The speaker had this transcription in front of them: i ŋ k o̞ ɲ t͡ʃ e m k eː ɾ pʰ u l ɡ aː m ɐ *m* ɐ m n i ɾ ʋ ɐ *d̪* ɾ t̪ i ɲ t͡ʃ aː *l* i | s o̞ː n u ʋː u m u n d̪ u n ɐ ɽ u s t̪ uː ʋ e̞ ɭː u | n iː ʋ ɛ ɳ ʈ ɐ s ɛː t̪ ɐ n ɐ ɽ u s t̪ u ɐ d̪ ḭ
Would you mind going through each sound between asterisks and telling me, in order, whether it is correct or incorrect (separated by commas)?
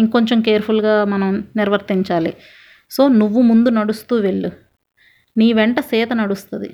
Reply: incorrect, incorrect, correct